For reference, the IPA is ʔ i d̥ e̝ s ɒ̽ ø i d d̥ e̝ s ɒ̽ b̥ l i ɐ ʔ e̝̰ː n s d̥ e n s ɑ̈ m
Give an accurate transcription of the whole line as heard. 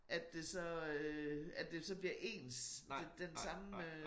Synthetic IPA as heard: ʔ æ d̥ e̝ s ɒ̽ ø æ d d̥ e̝ s ɒ̽ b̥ l i ɐ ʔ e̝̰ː n s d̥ e n s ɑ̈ m